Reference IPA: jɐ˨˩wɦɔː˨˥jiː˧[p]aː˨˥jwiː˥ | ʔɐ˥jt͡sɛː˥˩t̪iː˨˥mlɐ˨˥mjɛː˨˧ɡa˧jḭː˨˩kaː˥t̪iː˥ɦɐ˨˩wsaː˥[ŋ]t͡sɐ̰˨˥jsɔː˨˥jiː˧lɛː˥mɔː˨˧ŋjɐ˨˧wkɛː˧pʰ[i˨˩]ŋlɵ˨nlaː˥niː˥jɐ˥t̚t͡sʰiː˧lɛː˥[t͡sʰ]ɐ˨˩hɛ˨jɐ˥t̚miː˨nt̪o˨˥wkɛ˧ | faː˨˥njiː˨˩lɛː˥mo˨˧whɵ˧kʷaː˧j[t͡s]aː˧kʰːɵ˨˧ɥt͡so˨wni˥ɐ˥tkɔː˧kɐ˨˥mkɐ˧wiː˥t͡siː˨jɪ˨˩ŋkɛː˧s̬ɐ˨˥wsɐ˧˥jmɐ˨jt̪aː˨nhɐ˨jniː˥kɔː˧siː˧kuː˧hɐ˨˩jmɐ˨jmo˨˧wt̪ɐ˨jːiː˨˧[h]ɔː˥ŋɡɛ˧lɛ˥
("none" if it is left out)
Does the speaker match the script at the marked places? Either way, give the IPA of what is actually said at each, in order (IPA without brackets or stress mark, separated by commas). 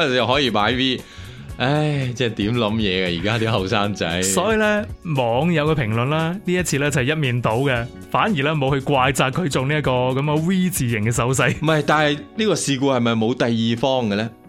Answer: p, ŋ, ɪ˨˩, t͡s, t͡s, f